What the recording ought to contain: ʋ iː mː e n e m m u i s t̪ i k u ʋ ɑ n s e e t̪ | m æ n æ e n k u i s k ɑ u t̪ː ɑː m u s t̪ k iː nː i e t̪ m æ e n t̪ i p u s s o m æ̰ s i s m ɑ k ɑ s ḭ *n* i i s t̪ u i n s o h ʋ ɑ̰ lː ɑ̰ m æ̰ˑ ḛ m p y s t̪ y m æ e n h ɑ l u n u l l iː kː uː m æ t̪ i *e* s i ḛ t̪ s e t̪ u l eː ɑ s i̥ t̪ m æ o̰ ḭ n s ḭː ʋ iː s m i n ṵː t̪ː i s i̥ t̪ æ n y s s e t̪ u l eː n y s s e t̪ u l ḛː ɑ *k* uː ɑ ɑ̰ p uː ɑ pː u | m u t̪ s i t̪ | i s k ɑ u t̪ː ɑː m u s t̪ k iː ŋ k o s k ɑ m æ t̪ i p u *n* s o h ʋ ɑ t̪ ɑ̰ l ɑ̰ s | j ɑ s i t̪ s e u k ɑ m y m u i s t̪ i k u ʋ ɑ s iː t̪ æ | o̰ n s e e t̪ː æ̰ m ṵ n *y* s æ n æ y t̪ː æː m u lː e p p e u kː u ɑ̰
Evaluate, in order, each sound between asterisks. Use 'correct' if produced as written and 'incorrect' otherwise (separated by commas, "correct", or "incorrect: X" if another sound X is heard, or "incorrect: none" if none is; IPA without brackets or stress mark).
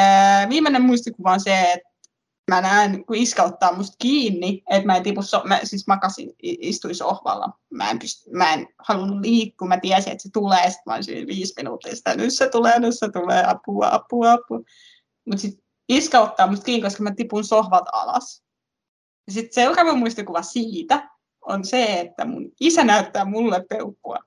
correct, incorrect: æ, incorrect: p, correct, incorrect: i